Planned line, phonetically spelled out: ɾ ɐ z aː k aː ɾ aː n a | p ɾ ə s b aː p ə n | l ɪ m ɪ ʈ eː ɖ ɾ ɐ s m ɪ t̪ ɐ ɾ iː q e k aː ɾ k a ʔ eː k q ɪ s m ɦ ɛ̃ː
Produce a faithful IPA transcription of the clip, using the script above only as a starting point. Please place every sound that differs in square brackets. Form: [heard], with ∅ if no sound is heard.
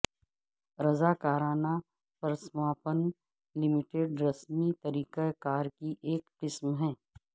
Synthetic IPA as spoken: ɾ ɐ z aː k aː ɾ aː n a | p ɾ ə s [m] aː p ə n | l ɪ m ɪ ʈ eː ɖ ɾ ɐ s m [i] t̪ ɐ ɾ iː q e k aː ɾ k [i] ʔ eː k q ɪ s m ɦ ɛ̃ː